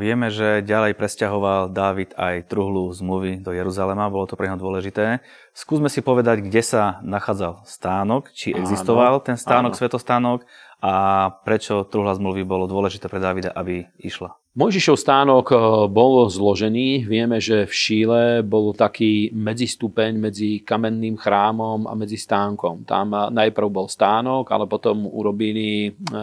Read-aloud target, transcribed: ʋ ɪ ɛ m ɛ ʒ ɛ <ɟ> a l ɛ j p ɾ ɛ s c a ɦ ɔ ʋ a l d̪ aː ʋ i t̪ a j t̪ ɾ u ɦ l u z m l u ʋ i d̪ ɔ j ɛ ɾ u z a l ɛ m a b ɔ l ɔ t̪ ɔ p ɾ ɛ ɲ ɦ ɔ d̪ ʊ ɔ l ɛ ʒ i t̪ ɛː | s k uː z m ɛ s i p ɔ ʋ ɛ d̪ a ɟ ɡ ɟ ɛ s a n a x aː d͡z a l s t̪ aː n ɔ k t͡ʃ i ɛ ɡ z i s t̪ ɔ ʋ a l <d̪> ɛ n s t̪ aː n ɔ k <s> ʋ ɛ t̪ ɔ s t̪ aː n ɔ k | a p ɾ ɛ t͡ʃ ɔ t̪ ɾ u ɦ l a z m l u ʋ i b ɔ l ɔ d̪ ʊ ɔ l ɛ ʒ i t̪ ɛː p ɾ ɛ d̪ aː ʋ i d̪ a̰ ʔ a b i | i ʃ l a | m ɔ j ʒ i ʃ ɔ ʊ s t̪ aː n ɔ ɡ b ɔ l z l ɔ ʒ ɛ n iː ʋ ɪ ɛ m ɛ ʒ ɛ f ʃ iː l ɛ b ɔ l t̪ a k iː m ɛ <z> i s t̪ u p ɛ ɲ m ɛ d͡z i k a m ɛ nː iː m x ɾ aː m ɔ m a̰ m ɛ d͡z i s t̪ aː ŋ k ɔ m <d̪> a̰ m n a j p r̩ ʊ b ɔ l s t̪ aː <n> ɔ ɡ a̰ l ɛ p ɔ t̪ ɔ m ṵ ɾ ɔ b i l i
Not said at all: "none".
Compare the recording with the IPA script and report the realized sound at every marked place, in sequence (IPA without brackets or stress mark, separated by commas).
ɟ, t̪, s, d͡z, t̪, n